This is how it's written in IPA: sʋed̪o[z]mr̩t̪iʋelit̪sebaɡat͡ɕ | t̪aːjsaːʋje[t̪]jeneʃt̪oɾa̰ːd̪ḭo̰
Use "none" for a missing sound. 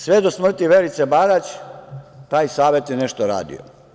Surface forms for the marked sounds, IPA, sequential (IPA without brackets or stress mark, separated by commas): s, t̪